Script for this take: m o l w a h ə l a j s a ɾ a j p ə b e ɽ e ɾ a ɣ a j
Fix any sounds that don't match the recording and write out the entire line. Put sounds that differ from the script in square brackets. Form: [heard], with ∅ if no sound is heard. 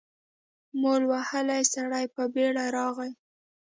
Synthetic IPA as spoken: m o l w a h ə l a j s a [ɽ] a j p ə b e ɽ [a] ɾ [ɑ] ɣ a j